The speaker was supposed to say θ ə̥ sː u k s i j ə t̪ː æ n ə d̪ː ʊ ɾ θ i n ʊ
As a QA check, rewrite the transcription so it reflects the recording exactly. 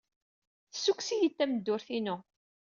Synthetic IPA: θ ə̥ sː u k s i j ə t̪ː æ m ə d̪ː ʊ ɾ θ i n ʊ